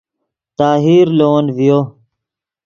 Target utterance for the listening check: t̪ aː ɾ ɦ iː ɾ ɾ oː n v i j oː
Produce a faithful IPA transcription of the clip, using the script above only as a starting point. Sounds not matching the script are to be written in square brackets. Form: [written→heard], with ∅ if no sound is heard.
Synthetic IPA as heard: t̪ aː [ɾ→∅] ɦ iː ɾ [ɾ→l] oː n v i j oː